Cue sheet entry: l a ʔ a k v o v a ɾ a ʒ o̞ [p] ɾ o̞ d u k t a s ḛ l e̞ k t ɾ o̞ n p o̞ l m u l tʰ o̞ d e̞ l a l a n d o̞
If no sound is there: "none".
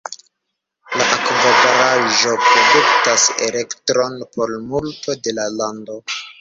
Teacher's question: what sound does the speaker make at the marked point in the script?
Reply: p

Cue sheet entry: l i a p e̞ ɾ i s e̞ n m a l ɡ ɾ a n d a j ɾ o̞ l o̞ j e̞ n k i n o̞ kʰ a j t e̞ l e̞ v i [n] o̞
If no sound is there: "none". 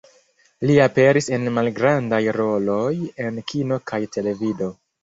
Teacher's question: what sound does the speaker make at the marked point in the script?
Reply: d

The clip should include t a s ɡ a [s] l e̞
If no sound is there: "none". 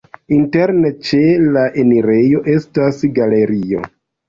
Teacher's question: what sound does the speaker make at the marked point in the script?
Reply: none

